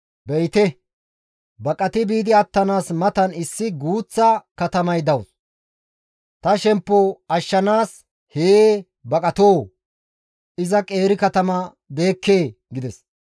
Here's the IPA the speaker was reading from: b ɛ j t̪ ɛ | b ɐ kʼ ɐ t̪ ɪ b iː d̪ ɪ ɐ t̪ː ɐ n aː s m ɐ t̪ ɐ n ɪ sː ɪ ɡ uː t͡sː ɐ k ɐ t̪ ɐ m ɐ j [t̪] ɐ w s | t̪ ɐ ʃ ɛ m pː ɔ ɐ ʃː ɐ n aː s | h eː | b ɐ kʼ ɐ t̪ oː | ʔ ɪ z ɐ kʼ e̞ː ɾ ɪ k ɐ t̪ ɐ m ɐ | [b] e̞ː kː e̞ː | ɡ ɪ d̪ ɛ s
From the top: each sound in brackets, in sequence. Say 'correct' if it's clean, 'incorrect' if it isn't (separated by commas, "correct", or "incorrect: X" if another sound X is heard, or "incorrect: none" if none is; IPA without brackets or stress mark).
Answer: incorrect: d̪, correct